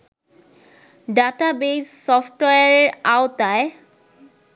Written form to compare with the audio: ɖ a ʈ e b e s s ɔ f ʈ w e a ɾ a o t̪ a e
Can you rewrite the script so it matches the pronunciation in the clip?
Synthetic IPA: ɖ a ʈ a b e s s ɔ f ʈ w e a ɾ a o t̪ a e